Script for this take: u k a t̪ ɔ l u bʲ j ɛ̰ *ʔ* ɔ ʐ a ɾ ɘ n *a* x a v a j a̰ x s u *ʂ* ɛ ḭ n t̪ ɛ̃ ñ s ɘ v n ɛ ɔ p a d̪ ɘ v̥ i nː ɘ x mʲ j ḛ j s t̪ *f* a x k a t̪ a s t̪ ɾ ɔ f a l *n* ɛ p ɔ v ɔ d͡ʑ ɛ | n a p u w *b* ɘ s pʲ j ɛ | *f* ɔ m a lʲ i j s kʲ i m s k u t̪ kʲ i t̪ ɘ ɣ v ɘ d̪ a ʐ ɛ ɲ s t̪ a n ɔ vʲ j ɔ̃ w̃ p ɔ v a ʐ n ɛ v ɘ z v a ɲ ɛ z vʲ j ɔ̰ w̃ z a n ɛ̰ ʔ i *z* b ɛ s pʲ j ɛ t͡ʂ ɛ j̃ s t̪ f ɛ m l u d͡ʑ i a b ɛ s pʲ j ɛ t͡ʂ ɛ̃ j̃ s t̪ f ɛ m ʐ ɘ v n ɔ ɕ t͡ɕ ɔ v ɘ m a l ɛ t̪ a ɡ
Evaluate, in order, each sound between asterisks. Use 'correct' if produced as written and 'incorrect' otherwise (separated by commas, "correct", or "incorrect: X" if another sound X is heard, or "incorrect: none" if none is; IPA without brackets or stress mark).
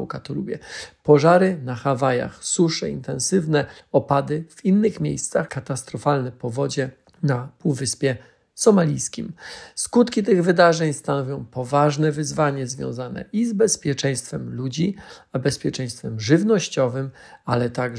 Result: incorrect: p, correct, correct, incorrect: s, correct, incorrect: v, incorrect: s, correct